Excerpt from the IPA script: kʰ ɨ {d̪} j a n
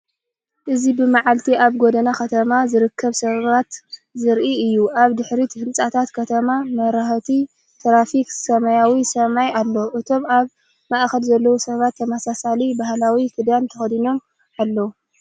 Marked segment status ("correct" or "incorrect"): correct